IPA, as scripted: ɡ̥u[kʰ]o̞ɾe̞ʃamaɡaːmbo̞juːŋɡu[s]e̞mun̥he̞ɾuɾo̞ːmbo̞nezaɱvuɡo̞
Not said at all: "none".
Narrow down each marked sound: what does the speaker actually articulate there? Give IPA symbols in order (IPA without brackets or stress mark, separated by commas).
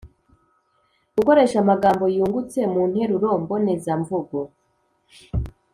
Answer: k, t͡s